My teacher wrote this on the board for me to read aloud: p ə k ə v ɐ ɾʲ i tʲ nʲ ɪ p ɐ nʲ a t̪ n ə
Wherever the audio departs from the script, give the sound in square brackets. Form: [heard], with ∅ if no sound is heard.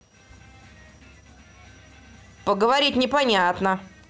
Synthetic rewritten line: p ə [ɡ] ə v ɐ ɾʲ i tʲ nʲ ɪ p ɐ nʲ a t̪ n ə